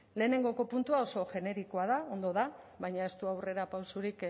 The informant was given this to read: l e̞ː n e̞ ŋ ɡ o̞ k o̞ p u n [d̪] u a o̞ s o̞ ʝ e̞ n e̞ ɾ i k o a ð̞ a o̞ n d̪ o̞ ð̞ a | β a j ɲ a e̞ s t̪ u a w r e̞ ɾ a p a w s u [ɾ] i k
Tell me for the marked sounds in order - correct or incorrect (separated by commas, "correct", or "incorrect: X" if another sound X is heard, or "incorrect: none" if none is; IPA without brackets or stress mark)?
incorrect: t̪, correct